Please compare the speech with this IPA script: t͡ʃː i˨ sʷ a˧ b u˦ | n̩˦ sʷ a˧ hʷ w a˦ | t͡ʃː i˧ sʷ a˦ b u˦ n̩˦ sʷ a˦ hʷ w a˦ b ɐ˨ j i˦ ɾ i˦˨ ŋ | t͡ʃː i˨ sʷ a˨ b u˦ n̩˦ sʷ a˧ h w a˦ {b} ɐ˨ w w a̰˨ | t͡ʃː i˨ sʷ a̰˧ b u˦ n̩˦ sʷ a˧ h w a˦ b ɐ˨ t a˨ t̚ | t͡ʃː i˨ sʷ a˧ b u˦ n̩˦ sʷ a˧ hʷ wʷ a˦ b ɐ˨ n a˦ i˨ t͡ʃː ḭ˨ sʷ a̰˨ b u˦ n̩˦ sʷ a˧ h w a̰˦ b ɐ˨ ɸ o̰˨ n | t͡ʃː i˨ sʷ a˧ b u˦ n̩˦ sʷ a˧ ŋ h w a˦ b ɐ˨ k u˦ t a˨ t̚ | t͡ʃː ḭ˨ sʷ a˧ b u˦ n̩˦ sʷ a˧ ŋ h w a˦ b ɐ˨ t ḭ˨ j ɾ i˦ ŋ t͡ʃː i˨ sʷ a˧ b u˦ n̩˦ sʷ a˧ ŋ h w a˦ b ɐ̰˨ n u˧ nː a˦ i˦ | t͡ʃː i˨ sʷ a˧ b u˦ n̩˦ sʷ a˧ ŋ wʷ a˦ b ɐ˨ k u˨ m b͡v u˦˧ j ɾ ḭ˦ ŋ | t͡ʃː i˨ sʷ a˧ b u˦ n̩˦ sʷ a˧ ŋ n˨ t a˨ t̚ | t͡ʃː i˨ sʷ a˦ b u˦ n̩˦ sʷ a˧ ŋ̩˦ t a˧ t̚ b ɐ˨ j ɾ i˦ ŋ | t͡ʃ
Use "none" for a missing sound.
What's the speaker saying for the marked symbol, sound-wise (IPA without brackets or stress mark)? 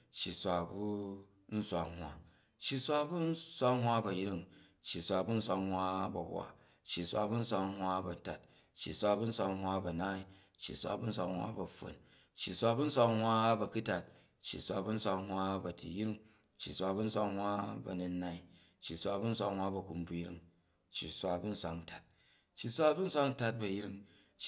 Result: b